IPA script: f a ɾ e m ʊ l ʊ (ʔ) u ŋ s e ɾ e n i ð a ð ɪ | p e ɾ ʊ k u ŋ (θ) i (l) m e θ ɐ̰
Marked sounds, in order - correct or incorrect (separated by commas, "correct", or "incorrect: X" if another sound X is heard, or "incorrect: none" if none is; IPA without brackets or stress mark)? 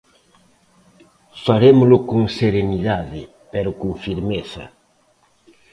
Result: incorrect: k, incorrect: f, incorrect: ɾ